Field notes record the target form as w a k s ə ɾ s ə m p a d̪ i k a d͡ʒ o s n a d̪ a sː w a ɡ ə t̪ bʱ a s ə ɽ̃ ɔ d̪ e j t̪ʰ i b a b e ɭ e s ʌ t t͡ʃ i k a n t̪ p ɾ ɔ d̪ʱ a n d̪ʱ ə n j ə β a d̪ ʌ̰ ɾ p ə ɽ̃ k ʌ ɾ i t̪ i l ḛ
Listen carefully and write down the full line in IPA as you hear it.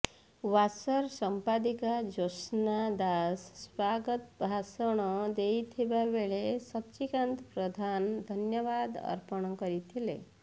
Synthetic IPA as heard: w a s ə ɾ s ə m p a d̪ i k a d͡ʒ o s n a d̪ a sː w a ɡ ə t̪ bʱ a s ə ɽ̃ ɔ d̪ e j t̪ʰ i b a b e ɭ e s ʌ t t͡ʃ i k a n t̪ p ɾ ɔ d̪ʱ a n d̪ʱ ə n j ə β a d̪ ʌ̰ ɾ p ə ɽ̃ k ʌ ɾ i t̪ʰ i l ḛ